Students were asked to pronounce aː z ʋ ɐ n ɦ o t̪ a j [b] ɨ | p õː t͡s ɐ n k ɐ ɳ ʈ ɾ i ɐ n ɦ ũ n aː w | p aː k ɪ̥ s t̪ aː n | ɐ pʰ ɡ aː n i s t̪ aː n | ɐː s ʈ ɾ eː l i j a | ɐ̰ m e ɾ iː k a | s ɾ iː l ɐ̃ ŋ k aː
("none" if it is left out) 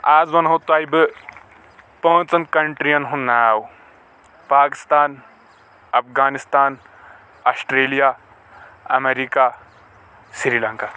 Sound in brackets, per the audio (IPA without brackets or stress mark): b